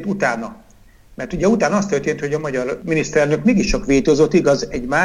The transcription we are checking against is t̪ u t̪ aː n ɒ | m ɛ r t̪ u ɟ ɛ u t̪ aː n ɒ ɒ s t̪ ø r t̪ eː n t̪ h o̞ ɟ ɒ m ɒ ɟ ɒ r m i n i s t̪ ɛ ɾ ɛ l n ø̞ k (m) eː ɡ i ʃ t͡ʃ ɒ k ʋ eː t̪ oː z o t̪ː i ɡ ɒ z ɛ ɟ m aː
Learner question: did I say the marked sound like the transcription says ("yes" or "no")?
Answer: yes